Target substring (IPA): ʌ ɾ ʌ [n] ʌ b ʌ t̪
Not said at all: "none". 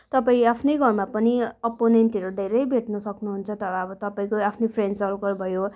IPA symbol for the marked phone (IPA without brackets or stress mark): none